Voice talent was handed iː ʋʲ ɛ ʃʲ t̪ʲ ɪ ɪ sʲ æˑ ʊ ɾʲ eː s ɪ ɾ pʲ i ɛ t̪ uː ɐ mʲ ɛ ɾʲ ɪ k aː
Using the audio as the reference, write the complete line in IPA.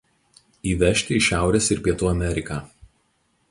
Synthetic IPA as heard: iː ʋʲ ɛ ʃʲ t̪ʲ ɪ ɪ ʃʲ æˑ ʊ ɾʲ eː s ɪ ɾ pʲ i ɛ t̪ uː ɐ mʲ ɛ ɾʲ ɪ k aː